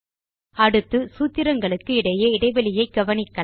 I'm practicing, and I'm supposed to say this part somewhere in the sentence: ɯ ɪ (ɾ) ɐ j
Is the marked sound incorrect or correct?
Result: incorrect: ɽ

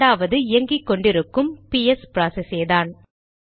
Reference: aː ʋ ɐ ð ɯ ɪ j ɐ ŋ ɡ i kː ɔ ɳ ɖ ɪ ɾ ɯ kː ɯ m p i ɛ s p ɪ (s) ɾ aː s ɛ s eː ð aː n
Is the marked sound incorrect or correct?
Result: incorrect: none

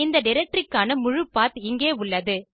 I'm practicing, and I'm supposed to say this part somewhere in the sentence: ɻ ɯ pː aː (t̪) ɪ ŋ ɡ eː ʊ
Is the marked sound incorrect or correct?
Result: correct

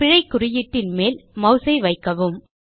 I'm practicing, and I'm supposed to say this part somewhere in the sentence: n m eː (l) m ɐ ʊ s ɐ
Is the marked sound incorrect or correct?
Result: correct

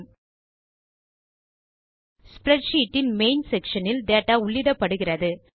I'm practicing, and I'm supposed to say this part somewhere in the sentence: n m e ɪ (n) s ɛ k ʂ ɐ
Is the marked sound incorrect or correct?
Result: correct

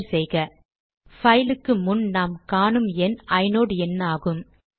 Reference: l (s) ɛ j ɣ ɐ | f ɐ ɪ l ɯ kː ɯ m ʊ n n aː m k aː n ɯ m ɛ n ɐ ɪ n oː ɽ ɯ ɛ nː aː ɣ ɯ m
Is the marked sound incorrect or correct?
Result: correct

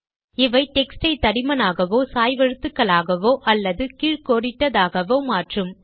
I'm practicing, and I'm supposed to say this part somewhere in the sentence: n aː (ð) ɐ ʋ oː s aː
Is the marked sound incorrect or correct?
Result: incorrect: ɣ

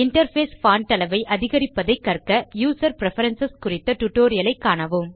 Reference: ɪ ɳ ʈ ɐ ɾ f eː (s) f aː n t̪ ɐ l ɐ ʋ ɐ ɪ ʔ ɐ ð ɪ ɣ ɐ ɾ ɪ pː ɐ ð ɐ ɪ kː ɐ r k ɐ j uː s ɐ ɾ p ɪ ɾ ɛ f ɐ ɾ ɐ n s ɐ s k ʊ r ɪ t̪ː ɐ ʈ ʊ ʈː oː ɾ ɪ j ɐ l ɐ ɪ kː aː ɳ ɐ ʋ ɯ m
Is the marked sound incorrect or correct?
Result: correct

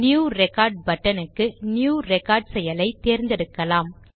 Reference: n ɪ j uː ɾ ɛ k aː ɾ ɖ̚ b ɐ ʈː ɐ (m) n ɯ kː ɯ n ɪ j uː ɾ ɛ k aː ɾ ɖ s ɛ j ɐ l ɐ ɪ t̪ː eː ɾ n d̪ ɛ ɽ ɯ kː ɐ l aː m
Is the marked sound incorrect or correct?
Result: incorrect: none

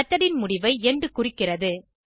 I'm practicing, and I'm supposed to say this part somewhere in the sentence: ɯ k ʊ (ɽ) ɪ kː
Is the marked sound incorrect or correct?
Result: incorrect: r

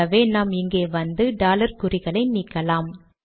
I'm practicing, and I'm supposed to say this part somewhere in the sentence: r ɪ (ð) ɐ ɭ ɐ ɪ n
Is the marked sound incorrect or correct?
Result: incorrect: ɣ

